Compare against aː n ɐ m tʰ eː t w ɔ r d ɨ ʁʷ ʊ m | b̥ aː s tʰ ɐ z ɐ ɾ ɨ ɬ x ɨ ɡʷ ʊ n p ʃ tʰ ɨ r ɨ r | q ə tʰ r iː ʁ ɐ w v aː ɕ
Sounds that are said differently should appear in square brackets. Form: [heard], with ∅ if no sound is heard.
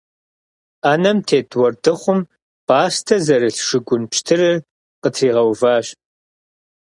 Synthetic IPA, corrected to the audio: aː n ɐ m tʰ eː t w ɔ r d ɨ [χʷ] ʊ m | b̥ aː s tʰ ɐ z ɐ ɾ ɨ ɬ [ʂ] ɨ ɡʷ ʊ n p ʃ tʰ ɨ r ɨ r | q ə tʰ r iː ʁ ɐ w v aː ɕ

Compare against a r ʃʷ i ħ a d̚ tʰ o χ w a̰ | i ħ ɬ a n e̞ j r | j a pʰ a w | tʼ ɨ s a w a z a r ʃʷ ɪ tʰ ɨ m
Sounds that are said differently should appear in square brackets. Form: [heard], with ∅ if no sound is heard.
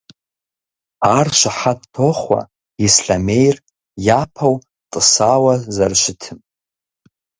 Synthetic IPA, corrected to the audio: a r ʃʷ [a] ħ a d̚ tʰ o χ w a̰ | i [s] ɬ a [m] e̞ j r | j a pʰ a w | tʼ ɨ s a w a z a r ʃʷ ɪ tʰ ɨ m

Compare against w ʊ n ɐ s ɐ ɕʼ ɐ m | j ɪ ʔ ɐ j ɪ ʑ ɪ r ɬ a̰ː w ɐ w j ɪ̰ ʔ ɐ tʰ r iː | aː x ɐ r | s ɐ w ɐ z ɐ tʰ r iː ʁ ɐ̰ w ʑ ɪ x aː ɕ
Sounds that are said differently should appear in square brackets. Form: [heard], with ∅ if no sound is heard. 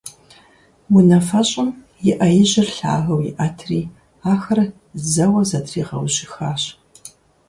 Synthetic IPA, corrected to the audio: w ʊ n ɐ [f] ɐ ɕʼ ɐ m | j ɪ ʔ ɐ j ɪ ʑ ɪ r ɬ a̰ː [ɣ] ɐ w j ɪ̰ ʔ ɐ tʰ r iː | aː x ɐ r | [z] ɐ w ɐ z ɐ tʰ r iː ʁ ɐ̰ w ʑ ɪ x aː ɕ

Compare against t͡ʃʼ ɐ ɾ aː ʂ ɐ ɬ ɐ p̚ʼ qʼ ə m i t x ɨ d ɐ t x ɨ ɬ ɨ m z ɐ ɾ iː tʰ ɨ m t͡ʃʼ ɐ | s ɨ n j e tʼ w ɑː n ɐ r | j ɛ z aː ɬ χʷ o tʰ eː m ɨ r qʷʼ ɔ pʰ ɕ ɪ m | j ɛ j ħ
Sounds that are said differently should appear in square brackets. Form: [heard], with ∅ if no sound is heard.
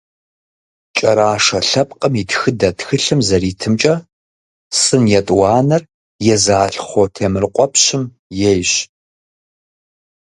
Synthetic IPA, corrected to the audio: t͡ʃʼ ɐ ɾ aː ʂ ɐ ɬ ɐ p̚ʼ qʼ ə m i t x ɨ d ɐ t x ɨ ɬ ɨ m z ɐ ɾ iː tʰ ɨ m t͡ʃʼ ɐ | s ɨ n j [ɛ] tʼ w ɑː n ɐ r | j ɛ z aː ɬ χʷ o tʰ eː m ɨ r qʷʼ ɔ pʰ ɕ ɪ m | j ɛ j [ɕ]

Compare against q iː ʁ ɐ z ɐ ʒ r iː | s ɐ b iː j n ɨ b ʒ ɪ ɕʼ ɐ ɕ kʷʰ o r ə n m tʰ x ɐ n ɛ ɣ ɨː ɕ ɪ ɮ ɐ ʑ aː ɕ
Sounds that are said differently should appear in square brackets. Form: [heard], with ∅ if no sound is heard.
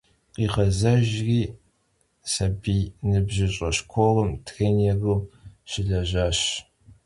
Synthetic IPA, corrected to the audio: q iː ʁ ɐ z ɐ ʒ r iː | s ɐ b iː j n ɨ b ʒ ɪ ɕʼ ɐ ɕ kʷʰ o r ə [∅] m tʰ x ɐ n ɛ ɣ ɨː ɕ ɪ ɮ ɐ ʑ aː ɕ

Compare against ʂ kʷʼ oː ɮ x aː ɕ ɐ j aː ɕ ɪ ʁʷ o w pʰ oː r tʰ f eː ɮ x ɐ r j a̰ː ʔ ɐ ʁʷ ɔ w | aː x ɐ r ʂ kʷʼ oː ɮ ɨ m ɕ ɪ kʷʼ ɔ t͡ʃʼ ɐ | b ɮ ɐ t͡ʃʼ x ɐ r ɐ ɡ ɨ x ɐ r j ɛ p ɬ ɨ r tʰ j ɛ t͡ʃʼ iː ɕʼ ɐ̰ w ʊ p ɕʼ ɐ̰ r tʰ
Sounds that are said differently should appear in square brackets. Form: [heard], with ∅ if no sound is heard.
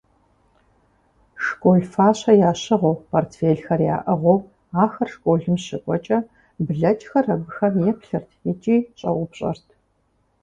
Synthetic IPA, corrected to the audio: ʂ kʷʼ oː ɮ [f] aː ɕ ɐ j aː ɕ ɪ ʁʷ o w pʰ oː r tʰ f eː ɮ x ɐ r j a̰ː ʔ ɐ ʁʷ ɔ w | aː x ɐ r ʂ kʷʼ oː ɮ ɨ m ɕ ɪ kʷʼ ɔ t͡ʃʼ ɐ | b ɮ ɐ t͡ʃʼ x ɐ r ɐ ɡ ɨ x ɐ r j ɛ p ɬ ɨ r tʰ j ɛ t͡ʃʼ iː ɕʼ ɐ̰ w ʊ p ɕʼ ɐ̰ r tʰ

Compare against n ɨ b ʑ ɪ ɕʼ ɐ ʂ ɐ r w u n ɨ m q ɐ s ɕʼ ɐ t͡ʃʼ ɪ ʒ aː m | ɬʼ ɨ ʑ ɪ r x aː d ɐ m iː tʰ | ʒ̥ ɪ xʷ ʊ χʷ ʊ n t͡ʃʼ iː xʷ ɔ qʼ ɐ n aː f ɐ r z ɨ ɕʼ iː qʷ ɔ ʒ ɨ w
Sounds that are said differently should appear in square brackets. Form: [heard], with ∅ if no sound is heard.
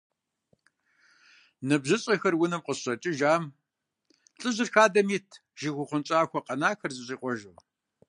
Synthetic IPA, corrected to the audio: n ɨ b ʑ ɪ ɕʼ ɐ [x] ɐ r w [ʊ] n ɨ m q [ə] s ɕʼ ɐ t͡ʃʼ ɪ ʒ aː m | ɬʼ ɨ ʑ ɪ r x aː d ɐ m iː tʰ | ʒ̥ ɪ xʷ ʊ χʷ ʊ n t͡ʃʼ [aː] xʷ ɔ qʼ ɐ n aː [x] ɐ r z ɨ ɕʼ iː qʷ ɔ ʒ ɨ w

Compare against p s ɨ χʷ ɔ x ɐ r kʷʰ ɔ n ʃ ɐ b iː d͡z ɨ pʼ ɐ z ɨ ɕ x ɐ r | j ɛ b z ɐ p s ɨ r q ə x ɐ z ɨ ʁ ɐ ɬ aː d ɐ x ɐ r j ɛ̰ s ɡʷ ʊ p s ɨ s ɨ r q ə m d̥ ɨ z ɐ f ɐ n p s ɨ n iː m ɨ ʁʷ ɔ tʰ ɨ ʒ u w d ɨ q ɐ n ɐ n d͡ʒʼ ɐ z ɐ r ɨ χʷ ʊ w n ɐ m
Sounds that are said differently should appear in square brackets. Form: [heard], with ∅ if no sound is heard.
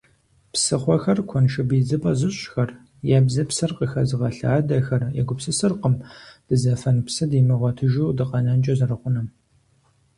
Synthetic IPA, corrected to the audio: p s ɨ χʷ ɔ x ɐ r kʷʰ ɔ n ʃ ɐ b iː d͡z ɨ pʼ ɐ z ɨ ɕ x ɐ r | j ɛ b z ɐ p s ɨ r q ə x ɐ z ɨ ʁ ɐ ɬ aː d ɐ x ɐ r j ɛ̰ [∅] ɡʷ ʊ p s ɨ s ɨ r q ə m d̥ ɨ z ɐ f ɐ n p s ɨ [d] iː m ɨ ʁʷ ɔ tʰ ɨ ʒ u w d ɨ q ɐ n ɐ n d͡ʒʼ ɐ z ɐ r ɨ χʷ ʊ [∅] n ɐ m

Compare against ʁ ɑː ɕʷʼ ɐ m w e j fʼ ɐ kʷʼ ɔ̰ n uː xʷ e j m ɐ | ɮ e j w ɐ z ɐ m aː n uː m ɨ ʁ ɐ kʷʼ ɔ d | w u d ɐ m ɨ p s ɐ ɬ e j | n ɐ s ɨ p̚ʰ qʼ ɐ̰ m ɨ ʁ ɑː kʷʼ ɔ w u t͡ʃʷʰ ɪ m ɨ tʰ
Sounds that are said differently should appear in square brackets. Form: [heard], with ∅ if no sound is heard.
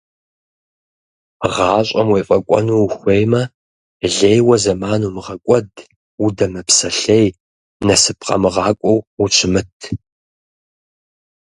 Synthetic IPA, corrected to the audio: ʁ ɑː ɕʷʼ ɐ m w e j fʼ ɐ kʷʼ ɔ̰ n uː xʷ e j m ɐ | ɮ e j w ɐ z ɐ m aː n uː m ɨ ʁ ɐ kʷʼ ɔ d | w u d ɐ m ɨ p s ɐ ɬ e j | n ɐ s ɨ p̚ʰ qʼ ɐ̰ m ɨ ʁ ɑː kʷʼ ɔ w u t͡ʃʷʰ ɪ m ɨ tʰ

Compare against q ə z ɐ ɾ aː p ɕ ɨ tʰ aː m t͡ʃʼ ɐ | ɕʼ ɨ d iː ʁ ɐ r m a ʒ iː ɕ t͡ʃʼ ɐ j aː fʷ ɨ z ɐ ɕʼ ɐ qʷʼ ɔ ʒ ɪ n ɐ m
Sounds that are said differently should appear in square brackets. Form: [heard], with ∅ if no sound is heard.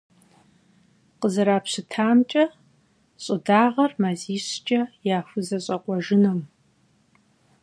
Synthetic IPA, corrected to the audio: q ə z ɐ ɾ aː p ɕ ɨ tʰ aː m t͡ʃʼ ɐ | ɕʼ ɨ d [aː] ʁ ɐ r m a [z] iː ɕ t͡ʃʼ ɐ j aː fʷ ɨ z ɐ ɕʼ ɐ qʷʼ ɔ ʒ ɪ n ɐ m

